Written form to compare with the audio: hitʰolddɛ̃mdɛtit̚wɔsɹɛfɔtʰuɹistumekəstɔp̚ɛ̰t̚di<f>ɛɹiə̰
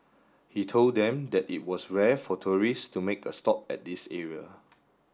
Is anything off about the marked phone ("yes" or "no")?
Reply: yes